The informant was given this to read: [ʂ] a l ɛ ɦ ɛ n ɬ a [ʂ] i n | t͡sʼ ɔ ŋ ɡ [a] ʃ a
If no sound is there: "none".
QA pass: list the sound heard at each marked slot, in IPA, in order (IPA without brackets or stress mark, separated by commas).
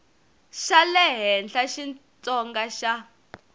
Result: ʃ, ʃ, a